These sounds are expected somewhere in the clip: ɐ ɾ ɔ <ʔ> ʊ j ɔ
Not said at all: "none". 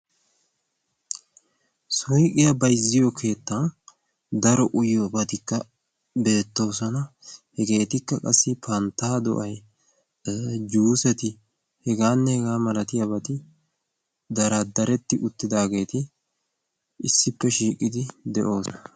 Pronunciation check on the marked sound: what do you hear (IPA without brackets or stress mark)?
ʔ